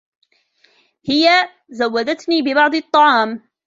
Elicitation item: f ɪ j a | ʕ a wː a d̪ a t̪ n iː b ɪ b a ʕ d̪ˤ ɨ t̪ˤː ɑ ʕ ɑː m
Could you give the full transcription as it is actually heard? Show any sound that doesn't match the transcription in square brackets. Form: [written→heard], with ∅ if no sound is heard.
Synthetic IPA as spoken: [f→h] ɪ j a | [ʕ→z] a wː a d̪ a t̪ n iː b ɪ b [a→ɑ] ʕ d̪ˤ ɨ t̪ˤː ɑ ʕ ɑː m